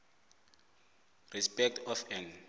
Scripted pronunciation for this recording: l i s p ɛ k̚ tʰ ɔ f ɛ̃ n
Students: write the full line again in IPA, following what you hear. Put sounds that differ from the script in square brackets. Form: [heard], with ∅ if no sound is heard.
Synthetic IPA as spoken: [r] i s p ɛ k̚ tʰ ɔ f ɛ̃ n